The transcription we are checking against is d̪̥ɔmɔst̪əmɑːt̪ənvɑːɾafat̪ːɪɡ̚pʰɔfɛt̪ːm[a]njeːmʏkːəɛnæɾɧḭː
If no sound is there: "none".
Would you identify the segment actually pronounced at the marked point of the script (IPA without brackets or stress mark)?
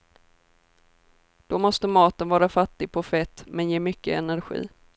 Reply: ɛ